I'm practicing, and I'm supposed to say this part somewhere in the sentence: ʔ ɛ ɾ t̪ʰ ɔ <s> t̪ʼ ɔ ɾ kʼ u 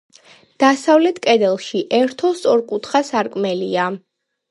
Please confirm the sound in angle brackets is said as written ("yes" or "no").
yes